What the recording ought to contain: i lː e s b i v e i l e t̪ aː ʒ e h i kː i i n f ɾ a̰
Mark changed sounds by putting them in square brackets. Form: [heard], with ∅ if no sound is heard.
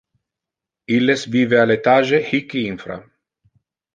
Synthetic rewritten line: i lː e s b i v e [a] l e t̪ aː ʒ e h i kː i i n f ɾ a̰

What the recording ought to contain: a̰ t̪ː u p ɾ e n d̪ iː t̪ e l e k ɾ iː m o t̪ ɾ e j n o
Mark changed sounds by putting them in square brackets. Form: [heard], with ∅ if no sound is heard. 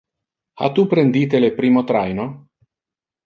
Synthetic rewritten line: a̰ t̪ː u p ɾ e n d̪ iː t̪ e l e [p] ɾ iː m o t̪ ɾ [a] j n o

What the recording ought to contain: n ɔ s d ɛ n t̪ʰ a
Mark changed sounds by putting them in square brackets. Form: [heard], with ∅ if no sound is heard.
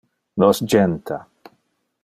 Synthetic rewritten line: n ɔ s [d͡ʒ] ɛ n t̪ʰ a

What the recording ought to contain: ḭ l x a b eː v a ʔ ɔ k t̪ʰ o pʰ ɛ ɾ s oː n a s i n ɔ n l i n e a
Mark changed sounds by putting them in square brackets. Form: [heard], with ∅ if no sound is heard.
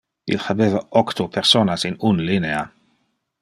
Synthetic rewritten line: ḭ l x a b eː v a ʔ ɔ k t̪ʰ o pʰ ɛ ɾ s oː n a s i n [u] n l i n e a

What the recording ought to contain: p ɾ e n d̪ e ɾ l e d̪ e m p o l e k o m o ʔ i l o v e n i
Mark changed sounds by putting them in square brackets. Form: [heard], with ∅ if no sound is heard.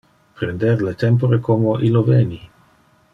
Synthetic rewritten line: p ɾ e n d̪ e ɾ l e [t̪] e m p o [ɾ] e k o m o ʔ i l o v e n i

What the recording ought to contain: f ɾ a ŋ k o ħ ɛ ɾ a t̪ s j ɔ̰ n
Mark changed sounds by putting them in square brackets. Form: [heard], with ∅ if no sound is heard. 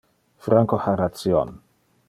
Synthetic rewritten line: f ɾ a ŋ k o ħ [a] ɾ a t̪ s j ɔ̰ n

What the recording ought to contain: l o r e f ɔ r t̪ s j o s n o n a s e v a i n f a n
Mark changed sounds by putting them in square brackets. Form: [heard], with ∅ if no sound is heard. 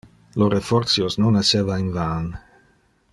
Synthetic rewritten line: l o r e f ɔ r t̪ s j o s n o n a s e v a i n [v] a n

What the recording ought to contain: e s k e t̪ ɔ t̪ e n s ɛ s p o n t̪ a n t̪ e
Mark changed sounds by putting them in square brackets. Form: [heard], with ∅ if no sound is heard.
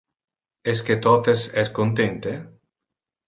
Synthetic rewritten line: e s k e t̪ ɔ t̪ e [∅] s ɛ s [k] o n t̪ [e] n t̪ e

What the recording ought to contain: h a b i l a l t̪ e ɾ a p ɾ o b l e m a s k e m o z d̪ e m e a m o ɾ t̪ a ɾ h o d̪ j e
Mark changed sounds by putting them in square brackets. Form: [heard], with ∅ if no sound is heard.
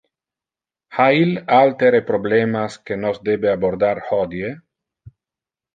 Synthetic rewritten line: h a [∅] i l a l t̪ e ɾ [e] p ɾ o b l e m a s k e [n] o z d̪ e [b] e a [b] o ɾ [d̪] a ɾ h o d̪ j e

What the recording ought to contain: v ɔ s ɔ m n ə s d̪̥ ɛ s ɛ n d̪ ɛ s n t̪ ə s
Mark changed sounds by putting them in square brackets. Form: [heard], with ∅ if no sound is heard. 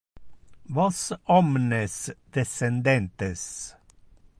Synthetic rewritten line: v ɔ s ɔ m n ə s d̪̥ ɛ s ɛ n d̪ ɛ [∅] n t̪ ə s

